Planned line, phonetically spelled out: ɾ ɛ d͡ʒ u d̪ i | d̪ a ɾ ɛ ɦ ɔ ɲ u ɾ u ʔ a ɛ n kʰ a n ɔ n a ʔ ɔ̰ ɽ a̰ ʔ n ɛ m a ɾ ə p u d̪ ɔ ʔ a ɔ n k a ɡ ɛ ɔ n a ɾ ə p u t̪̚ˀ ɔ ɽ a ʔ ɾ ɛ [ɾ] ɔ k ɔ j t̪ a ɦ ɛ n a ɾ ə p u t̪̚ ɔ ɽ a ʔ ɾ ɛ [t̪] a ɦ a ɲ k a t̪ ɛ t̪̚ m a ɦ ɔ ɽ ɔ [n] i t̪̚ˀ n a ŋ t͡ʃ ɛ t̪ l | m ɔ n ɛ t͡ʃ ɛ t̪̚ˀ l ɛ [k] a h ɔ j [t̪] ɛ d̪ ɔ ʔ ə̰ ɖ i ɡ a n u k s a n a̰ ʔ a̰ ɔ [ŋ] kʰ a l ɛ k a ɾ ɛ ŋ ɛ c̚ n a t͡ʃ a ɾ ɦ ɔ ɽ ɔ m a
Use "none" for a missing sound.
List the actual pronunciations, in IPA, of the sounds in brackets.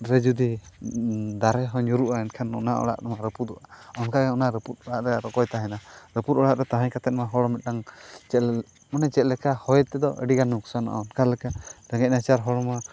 ɾ, t̪, m, k, t̪, n

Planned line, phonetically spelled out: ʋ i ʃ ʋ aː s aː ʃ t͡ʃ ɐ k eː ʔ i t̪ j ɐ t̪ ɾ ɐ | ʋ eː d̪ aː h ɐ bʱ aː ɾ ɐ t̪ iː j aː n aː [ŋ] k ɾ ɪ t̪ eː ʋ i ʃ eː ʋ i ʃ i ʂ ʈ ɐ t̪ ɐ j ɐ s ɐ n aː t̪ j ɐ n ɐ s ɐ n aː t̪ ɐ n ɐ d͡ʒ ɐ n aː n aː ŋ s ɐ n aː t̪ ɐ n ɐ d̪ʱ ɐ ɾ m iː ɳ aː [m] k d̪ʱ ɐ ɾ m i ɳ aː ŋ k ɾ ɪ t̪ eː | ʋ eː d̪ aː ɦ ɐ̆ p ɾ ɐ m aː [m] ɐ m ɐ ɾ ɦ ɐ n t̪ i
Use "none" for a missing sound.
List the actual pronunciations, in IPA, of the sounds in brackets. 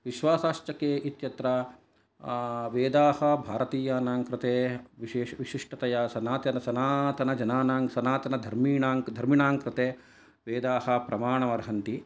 ŋ, ŋ, ɳ

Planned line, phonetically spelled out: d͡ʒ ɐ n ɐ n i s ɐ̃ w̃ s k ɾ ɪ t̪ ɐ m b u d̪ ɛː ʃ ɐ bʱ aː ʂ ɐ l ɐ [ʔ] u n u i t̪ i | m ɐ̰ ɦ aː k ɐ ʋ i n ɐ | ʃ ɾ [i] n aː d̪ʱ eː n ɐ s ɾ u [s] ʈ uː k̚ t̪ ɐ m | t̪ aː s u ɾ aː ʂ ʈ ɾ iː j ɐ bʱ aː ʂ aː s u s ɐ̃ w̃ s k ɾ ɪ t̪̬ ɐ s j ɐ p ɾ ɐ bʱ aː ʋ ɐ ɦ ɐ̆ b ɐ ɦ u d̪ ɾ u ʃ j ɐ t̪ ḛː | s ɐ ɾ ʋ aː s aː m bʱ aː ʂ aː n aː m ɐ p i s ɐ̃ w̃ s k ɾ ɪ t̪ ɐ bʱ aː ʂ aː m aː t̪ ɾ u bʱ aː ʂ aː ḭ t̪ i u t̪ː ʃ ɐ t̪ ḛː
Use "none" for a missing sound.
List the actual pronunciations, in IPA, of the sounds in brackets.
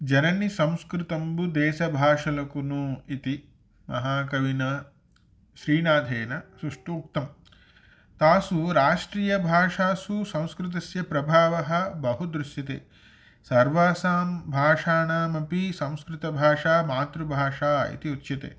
k, iː, ʂ

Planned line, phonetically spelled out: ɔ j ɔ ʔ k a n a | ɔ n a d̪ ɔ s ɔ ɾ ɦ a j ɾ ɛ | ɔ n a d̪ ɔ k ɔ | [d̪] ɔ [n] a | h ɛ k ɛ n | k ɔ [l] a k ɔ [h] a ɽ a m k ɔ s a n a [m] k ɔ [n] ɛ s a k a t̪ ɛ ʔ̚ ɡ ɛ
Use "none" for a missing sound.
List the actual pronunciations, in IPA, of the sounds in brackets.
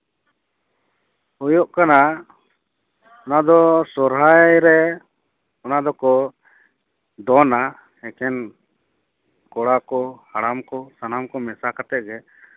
d̪, n, ɽ, h, m, m

